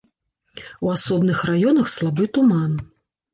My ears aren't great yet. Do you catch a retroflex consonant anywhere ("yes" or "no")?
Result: no